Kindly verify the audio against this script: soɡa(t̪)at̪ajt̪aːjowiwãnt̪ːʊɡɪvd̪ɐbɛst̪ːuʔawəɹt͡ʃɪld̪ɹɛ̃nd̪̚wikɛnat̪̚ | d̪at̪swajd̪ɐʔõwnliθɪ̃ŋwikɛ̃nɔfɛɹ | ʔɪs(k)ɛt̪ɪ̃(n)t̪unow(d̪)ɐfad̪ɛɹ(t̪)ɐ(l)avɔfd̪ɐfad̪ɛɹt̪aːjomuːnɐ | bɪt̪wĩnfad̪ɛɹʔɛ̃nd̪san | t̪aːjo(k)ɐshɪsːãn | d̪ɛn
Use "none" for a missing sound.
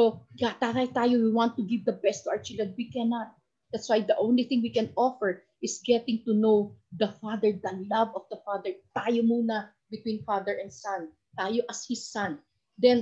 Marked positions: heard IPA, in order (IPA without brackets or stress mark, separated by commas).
t̪, ɡ, ŋ, d̪, d̪, l, ʔ